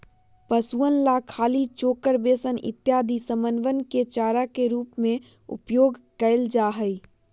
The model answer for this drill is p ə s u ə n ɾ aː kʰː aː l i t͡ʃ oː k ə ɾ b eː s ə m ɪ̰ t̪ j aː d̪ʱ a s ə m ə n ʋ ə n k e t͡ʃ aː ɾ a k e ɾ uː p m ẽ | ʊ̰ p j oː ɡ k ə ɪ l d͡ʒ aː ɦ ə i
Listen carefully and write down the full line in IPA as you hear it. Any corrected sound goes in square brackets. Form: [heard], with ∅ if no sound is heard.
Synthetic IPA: p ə s u ə n [l] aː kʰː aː l i t͡ʃ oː k ə ɾ b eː s ə [n] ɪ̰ t̪ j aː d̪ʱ [i] s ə m ə n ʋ ə n k e t͡ʃ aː ɾ a k e ɾ uː p m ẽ | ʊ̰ p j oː ɡ k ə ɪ l d͡ʒ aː ɦ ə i